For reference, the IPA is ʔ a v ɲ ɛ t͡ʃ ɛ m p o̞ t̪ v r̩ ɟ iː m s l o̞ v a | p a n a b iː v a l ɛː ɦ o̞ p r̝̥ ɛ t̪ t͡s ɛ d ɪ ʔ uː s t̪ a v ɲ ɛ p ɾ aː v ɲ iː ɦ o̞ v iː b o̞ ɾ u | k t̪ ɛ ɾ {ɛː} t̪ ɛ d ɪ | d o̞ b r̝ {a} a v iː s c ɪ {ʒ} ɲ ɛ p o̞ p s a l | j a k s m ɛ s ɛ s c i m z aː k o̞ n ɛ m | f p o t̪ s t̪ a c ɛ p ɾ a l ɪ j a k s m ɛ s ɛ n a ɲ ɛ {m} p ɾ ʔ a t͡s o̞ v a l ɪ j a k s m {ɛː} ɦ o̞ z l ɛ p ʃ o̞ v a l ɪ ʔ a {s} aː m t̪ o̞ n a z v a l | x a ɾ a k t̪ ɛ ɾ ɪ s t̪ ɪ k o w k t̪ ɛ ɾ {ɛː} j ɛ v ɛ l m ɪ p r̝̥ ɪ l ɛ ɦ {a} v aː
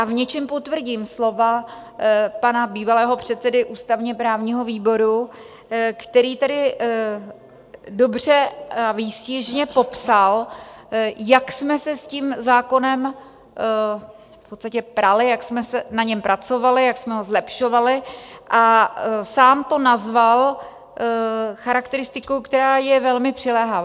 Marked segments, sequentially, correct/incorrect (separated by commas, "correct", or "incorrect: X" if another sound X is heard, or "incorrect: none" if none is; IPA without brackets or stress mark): incorrect: iː, incorrect: ɛ, correct, correct, incorrect: ɛ, correct, incorrect: aː, correct